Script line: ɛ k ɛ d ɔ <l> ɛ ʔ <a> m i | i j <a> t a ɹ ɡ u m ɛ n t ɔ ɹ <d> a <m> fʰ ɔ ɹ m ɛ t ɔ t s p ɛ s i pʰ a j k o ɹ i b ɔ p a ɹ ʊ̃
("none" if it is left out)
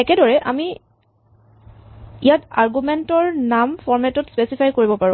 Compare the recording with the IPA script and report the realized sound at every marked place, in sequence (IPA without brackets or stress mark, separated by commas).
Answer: ɹ, a, a, n, m